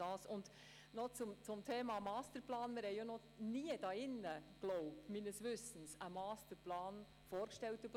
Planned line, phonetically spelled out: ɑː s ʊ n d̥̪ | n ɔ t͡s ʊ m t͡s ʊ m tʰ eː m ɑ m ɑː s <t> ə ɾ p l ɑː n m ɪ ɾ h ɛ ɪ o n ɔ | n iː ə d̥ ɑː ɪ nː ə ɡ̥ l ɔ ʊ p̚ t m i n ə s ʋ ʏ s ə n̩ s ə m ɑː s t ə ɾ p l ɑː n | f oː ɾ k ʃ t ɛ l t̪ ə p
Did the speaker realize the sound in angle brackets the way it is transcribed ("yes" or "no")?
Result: yes